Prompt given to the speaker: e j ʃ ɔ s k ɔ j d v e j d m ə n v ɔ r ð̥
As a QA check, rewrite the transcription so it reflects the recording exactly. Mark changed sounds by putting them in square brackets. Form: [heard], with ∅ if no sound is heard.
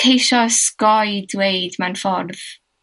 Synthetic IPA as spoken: e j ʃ ɔ s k ɔ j d [w] e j d m [a] n [f] ɔ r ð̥